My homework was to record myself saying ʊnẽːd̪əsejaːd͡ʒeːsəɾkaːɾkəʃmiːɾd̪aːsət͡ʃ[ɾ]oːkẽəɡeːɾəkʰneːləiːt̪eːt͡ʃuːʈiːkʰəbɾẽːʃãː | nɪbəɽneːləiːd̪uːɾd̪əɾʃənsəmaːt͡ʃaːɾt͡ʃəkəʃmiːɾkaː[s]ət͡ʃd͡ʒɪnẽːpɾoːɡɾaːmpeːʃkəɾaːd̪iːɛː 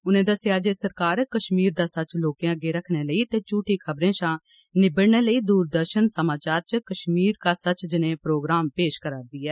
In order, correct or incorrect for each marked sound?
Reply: incorrect, correct

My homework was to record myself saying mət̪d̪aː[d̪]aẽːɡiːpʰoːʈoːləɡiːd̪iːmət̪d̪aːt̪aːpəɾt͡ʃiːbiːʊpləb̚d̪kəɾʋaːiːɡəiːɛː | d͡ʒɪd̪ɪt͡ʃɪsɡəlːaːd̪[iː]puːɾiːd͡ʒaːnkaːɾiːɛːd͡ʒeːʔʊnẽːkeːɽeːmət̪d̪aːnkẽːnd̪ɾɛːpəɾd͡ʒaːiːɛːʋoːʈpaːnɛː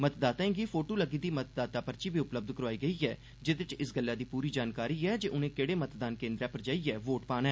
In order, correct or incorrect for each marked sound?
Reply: incorrect, correct

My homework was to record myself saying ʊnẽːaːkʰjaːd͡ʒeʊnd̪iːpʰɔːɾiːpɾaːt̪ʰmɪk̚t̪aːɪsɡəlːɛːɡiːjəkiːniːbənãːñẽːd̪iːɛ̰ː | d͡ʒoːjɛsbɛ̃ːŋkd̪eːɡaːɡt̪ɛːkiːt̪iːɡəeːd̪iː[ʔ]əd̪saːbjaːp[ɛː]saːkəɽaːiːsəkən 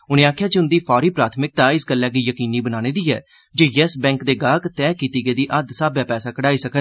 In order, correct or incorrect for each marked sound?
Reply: correct, correct

